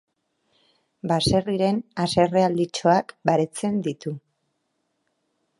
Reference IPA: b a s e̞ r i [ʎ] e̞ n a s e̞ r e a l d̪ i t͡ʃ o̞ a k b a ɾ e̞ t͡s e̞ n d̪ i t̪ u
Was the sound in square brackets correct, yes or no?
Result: no